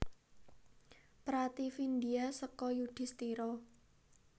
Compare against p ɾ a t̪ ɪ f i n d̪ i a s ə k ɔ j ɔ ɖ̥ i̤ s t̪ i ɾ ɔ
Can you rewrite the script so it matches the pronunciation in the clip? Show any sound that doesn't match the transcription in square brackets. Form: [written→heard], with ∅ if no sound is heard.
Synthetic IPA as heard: p ɾ a t̪ [ɪ→i] f i n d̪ i a s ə k ɔ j [ɔ→u] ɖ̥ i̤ s t̪ i ɾ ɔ

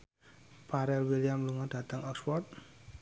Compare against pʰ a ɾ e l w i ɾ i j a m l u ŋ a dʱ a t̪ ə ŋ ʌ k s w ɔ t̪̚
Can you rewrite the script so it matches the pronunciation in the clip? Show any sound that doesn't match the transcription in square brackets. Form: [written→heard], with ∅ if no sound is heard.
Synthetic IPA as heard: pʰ a ɾ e l w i [ɾ→l] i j a m l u ŋ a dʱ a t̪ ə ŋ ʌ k s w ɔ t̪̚

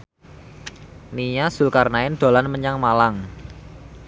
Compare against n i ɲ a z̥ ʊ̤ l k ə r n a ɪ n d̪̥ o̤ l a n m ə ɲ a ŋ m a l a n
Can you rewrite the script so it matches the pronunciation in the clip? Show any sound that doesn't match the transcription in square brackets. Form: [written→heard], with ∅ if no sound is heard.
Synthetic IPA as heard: n i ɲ a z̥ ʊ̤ l k [ə→a] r n a ɪ n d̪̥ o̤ l a n m ə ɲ a ŋ m a l a [n→ŋ]

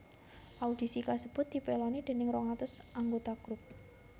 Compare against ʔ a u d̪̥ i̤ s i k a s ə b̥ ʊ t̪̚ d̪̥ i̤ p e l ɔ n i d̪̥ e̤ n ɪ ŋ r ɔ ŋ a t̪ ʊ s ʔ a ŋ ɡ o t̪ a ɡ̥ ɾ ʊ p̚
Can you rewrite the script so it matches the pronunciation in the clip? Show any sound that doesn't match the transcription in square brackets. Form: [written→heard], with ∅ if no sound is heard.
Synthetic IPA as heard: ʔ a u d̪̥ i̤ s i k a s ə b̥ ʊ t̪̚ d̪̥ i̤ p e l ɔ n i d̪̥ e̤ n ɪ ŋ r ɔ ŋ a t̪ ʊ s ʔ a ŋ ɡ o t̪ a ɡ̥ ɾ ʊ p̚

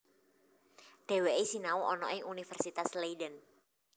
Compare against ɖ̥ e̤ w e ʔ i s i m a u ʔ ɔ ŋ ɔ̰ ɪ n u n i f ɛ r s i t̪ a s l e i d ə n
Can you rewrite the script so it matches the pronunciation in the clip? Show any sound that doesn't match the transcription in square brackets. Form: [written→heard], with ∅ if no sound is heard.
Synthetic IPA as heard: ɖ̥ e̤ w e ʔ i s i [m→n] a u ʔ ɔ [ŋ→n] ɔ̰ ɪ [n→ŋ] u n i f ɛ r s i t̪ a s l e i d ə n

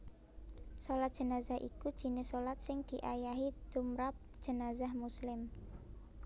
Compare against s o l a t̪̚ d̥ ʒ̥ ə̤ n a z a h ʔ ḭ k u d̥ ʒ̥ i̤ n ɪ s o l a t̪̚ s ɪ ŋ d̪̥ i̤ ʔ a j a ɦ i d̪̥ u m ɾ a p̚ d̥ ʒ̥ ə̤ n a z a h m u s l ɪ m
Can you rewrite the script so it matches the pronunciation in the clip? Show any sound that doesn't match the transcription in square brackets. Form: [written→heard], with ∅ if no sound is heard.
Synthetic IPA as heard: s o l a t̪̚ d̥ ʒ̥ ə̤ n a z a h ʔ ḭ k u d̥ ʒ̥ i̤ n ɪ s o l a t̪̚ s ɪ ŋ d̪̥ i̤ ʔ a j a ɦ i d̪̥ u m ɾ a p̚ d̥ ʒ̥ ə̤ n a z a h m u s l ɪ m

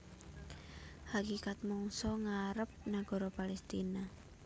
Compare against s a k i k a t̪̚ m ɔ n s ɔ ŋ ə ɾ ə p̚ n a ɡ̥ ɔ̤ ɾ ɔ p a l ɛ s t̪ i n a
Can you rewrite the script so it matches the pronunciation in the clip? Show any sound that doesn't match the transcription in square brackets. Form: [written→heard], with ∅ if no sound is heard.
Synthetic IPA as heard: [s→h] a k i k a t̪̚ m ɔ [n→ŋ] s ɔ ŋ [ə→a] ɾ ə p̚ n a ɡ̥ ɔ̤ ɾ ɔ p a l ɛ s t̪ i n a

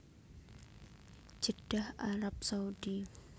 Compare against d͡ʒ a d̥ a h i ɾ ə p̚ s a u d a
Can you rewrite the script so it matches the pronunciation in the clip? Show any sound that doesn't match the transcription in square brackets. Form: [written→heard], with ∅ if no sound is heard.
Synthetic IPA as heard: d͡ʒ [a→ə] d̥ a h [i→a] ɾ [ə→a] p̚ s a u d [a→i]

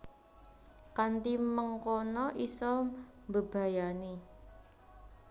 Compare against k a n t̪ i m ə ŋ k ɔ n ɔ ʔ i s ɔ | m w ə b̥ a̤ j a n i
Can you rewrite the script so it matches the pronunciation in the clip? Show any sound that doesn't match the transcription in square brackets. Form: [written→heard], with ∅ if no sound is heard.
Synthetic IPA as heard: k a n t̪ i m ə ŋ k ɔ n ɔ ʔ i s ɔ | m [w→b] ə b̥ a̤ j a n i

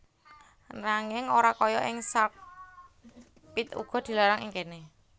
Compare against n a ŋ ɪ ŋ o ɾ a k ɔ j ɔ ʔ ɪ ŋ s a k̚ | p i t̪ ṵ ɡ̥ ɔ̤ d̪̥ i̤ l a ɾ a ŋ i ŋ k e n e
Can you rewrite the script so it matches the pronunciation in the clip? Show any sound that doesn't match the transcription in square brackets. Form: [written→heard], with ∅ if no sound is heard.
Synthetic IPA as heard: n a ŋ ɪ ŋ o ɾ a k ɔ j ɔ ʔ ɪ ŋ s a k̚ | p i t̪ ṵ ɡ̥ ɔ̤ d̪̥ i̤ l a ɾ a ŋ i ŋ k e n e

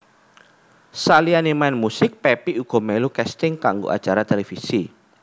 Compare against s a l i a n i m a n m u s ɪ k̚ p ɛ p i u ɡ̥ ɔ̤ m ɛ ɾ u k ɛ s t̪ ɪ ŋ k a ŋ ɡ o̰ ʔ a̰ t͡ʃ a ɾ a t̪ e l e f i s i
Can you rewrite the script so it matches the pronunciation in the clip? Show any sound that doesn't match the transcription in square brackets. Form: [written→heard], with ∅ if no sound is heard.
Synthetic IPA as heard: s a l i a n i m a n m u s ɪ k̚ p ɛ p i u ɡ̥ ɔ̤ m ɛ [ɾ→l] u k ɛ s t̪ ɪ ŋ k a ŋ ɡ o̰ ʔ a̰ t͡ʃ a ɾ a t̪ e l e f i s i

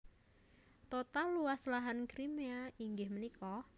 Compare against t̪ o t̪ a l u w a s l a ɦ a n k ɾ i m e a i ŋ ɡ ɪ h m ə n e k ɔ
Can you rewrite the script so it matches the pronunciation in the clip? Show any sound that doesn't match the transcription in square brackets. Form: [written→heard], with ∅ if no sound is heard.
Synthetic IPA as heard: t̪ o t̪ a l u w a s l a ɦ a n k ɾ i m e a i ŋ ɡ ɪ h m ə n [e→i] k ɔ

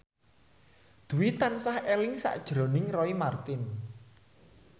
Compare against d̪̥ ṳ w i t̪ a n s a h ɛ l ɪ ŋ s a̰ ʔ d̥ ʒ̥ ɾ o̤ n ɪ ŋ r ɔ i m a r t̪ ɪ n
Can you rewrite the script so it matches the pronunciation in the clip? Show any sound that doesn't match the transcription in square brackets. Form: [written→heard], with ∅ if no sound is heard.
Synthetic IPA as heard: d̪̥ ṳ w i t̪ a n s a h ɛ l ɪ ŋ s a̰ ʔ d̥ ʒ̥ ɾ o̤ n ɪ ŋ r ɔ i m a r t̪ ɪ n

